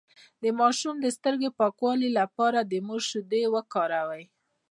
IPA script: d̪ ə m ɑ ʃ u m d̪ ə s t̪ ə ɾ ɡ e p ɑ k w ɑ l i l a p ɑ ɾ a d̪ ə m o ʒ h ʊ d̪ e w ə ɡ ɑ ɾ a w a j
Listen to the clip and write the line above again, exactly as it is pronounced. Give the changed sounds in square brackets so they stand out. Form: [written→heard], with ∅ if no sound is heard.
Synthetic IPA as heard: d̪ ə m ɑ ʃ u m d̪ ə s t̪ ə ɾ ɡ e p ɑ k w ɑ l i l a p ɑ ɾ a d̪ ə m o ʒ [h→ʃ] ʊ d̪ e w ə [ɡ→k] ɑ ɾ a w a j